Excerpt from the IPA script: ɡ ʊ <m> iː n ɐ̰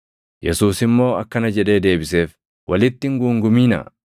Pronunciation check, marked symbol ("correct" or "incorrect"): correct